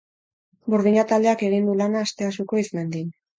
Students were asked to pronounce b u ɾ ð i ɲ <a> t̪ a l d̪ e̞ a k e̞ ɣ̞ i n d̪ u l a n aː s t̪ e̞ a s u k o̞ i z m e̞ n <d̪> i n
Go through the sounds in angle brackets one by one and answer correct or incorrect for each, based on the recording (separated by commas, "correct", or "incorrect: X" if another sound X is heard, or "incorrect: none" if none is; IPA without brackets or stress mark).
correct, correct